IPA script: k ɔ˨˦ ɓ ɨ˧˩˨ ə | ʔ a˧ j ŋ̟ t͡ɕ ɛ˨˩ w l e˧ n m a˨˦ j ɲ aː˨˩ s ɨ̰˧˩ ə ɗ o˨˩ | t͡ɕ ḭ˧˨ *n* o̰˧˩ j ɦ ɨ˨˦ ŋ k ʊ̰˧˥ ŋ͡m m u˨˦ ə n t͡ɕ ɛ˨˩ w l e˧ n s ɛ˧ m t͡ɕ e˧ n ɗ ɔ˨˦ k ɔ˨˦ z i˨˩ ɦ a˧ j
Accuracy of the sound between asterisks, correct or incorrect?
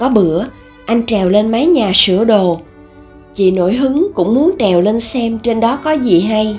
correct